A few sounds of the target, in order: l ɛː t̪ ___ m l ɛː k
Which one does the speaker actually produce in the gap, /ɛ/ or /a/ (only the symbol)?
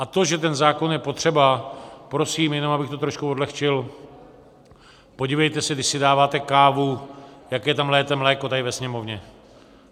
ɛ